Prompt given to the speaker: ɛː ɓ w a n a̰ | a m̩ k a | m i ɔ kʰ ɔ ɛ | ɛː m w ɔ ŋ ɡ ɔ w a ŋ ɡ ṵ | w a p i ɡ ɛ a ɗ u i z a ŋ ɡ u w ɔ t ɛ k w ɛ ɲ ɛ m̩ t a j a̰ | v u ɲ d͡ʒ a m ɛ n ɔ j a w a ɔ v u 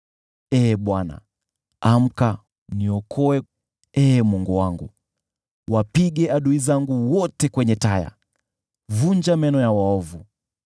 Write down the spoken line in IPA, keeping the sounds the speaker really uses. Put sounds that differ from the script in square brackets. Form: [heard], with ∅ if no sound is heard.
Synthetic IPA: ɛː ɓ w a n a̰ | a m̩ k a | [n] i ɔ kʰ ɔ ɛ | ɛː m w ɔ ŋ ɡ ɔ w a ŋ ɡ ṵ | w a p i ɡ ɛ a ɗ u i z a ŋ ɡ u w ɔ t ɛ k w ɛ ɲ ɛ [∅] t a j a̰ | v u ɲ d͡ʒ a m ɛ n ɔ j a w a ɔ v u